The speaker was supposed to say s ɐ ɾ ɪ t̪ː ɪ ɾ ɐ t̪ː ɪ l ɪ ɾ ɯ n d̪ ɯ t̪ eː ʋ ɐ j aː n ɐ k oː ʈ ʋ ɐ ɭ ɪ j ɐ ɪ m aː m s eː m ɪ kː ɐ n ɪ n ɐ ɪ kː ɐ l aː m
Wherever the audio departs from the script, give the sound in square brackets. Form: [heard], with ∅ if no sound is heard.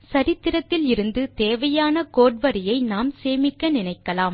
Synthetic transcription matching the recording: s ɐ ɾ ɪ t̪ː ɪ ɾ ɐ t̪ː ɪ l ɪ ɾ ɯ n d̪ ɯ t̪ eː ʋ ɐ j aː n ɐ k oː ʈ ʋ ɐ [ɾ] ɪ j ɐ ɪ [n] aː m s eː m ɪ kː ɐ n ɪ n ɐ ɪ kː ɐ l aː m